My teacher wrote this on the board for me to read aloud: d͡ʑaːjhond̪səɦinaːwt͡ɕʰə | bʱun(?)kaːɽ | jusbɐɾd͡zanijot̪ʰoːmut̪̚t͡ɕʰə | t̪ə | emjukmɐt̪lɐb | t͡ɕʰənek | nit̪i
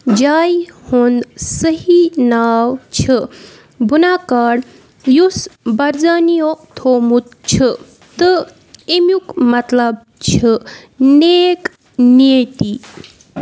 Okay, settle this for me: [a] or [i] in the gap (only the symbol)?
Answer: a